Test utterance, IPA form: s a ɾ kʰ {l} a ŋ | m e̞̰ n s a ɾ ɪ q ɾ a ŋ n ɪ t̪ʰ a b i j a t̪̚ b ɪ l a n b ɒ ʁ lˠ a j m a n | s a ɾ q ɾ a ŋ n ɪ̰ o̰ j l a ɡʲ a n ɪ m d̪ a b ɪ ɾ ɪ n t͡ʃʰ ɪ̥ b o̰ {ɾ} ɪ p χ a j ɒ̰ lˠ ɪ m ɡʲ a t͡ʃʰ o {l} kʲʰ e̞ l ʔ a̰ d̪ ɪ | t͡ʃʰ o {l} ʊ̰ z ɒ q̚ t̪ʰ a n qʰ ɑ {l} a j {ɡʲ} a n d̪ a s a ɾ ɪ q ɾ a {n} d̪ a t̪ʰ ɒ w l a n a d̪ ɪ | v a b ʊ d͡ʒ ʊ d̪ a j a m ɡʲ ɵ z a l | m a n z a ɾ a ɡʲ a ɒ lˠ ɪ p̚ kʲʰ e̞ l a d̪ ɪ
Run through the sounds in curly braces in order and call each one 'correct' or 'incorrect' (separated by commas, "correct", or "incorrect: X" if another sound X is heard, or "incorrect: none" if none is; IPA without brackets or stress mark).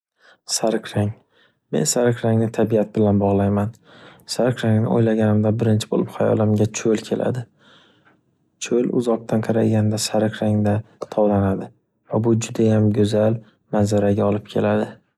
incorrect: ɾ, incorrect: l, correct, correct, incorrect: ɾ, correct, incorrect: ŋ